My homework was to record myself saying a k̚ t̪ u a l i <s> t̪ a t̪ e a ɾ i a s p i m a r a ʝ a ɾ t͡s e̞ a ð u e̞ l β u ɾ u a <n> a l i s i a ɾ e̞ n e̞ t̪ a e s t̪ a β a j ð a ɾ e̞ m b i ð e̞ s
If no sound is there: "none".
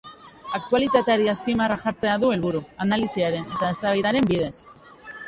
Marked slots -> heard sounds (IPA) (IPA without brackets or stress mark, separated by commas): none, n